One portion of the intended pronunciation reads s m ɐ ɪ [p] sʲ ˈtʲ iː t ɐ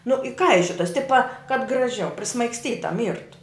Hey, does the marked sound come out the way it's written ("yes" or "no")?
no